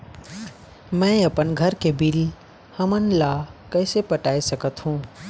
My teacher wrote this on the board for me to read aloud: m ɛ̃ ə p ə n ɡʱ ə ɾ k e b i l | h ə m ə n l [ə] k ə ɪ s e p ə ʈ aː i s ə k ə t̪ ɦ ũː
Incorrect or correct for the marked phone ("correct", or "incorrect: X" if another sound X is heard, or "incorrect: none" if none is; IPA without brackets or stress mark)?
incorrect: a